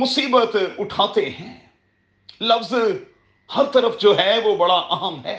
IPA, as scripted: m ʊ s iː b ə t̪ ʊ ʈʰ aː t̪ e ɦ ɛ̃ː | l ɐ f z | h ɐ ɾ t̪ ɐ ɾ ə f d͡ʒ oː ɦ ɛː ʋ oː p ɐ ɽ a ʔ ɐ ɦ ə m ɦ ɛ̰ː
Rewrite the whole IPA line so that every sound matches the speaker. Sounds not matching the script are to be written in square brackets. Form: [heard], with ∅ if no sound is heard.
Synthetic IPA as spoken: m ʊ s iː b ə t̪ ʊ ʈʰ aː t̪ e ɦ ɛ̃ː | l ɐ f z | h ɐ ɾ t̪ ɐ ɾ ə f d͡ʒ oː ɦ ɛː ʋ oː [b] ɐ ɽ a ʔ ɐ ɦ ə m ɦ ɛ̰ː